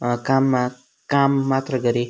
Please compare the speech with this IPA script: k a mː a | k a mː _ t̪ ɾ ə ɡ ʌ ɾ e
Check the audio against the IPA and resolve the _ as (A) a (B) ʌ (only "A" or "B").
A